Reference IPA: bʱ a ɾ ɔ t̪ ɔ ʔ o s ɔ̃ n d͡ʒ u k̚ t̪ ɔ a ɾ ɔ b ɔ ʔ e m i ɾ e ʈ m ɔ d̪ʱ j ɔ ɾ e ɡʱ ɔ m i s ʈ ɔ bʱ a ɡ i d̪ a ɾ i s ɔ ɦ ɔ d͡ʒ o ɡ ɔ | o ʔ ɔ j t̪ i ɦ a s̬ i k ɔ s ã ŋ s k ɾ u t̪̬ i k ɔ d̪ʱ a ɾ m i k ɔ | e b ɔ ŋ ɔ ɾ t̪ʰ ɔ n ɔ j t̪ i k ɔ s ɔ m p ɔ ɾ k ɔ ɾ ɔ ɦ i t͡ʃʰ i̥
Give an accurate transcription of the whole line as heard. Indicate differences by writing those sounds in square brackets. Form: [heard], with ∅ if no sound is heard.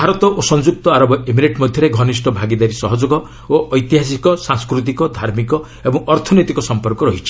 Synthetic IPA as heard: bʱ a ɾ ɔ t̪ ɔ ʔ o s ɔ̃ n d͡ʒ u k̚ t̪ ɔ a ɾ ɔ b ɔ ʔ e m i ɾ e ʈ m ɔ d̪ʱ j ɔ ɾ e ɡʱ ɔ [n] i s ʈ ɔ bʱ a ɡ i d̪ a ɾ i s ɔ ɦ ɔ d͡ʒ o ɡ ɔ | o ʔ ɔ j t̪ i ɦ a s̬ i k ɔ s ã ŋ s k ɾ u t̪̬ i k ɔ d̪ʱ a ɾ m i k ɔ | e b ɔ ŋ ɔ ɾ t̪ʰ ɔ n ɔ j t̪ i k ɔ s ɔ m p ɔ ɾ k ɔ ɾ ɔ ɦ i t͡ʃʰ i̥